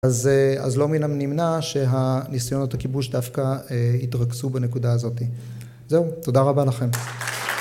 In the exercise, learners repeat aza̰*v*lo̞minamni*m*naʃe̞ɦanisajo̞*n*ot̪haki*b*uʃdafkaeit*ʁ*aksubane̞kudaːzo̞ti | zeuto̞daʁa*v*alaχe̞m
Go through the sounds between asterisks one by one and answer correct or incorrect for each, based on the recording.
incorrect, correct, correct, correct, correct, incorrect

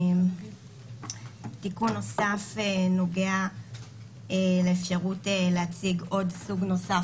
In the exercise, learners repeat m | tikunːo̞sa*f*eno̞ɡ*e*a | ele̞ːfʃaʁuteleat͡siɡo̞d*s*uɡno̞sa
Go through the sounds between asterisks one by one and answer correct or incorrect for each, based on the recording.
correct, correct, correct

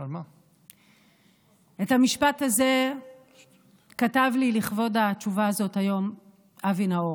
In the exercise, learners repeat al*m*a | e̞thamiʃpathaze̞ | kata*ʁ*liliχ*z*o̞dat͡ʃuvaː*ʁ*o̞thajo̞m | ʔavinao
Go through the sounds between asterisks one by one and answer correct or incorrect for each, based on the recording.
correct, incorrect, incorrect, incorrect

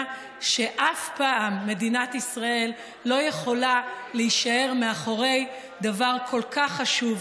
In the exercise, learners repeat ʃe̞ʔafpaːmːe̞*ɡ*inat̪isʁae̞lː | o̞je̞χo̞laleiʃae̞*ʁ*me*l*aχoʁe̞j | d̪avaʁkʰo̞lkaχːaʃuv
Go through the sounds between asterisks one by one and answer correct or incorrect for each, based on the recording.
incorrect, correct, incorrect

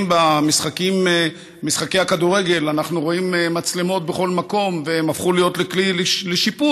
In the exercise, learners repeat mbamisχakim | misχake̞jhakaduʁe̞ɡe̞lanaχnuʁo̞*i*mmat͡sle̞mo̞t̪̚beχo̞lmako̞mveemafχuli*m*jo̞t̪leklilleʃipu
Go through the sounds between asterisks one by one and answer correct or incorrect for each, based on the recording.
correct, incorrect

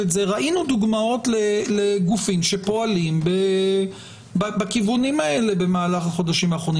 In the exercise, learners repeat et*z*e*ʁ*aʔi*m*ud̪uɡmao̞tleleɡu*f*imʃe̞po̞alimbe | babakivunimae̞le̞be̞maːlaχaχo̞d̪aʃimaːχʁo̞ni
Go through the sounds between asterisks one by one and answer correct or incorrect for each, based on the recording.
correct, correct, incorrect, correct

